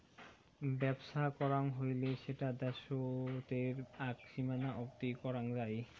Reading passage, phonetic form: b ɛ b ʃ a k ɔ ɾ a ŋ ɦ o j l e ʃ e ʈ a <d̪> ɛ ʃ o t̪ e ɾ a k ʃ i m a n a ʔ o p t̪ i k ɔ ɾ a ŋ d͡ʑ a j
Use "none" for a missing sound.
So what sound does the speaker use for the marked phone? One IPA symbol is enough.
d̪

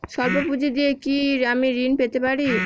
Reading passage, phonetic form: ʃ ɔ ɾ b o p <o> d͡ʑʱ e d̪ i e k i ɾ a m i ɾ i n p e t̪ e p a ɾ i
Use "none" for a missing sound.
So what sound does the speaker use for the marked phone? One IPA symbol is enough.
u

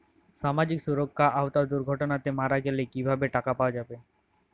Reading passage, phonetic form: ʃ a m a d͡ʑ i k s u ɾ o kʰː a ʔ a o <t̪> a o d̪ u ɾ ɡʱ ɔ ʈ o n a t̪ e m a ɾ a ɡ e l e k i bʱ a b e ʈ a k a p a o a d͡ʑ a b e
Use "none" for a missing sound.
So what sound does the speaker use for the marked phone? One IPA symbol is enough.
t̪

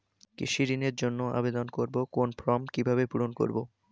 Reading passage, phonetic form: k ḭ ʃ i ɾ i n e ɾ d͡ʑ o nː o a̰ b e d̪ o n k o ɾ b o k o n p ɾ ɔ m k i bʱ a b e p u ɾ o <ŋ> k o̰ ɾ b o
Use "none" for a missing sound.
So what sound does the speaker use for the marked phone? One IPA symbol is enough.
n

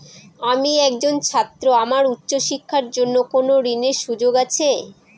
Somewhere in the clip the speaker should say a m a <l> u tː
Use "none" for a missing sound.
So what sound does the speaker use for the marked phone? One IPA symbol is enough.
ɾ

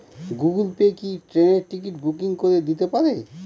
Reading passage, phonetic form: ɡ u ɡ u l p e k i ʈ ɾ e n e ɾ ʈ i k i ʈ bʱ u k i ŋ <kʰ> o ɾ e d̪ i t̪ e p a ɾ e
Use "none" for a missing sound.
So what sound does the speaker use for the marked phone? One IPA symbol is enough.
k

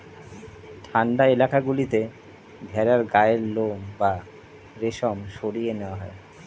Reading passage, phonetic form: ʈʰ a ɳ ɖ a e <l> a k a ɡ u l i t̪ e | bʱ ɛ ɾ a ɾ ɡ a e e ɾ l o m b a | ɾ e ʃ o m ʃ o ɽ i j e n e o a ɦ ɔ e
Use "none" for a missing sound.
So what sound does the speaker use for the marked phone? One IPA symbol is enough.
l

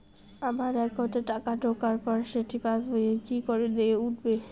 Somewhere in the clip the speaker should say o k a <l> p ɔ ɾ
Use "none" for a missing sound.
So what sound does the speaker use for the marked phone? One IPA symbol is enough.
ɾ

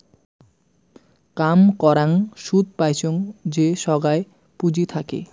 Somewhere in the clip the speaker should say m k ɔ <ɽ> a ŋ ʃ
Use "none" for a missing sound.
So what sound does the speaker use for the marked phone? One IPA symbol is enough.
ɾ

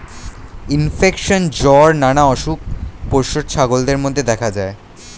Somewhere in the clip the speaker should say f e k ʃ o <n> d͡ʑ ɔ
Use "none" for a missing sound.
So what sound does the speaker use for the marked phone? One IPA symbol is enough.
n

